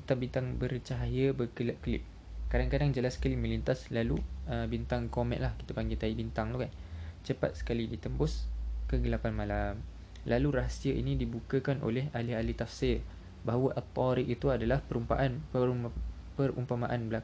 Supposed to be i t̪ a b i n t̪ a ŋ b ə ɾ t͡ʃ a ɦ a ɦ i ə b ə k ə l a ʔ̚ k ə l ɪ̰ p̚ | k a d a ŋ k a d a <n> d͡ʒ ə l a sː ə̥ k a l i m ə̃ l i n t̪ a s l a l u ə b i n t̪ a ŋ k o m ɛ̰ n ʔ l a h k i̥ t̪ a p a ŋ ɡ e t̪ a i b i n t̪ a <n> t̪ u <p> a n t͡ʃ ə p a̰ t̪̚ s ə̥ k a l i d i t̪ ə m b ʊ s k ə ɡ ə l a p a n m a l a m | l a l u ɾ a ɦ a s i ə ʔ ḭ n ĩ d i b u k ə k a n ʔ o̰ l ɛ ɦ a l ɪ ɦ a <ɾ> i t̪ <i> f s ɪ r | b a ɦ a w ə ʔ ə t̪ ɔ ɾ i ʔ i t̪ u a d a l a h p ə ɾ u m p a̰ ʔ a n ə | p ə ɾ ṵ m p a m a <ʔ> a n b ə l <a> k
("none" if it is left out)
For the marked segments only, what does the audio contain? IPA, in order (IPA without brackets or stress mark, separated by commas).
ŋ, ŋ, k, l, a, ʔ, a